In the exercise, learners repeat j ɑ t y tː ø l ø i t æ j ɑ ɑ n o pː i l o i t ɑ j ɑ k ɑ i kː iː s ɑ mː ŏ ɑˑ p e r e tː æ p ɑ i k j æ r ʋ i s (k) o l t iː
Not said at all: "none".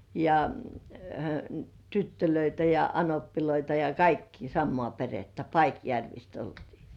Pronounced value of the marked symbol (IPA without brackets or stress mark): t